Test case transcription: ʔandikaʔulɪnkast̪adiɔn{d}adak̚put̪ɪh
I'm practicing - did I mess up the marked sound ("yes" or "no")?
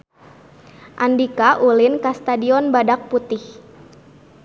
yes